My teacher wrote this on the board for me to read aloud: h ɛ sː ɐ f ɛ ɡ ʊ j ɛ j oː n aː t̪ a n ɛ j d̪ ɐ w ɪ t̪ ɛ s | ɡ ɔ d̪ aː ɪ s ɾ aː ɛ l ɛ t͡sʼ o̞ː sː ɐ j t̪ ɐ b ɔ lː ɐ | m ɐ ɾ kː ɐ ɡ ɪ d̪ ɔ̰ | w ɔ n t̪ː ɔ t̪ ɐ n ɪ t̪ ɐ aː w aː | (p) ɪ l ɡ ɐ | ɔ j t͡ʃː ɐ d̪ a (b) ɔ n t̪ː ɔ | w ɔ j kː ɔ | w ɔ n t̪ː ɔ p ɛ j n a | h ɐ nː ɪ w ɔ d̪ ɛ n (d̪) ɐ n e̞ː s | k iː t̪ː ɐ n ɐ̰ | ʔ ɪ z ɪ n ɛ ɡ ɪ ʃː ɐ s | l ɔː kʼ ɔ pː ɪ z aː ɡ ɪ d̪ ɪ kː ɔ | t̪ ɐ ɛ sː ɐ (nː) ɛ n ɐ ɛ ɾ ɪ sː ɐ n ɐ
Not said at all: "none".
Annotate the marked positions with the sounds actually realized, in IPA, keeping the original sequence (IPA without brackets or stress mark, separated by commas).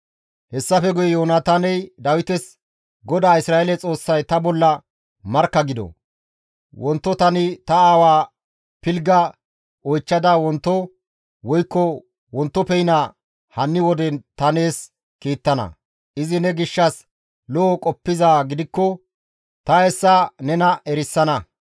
p, w, t̪, n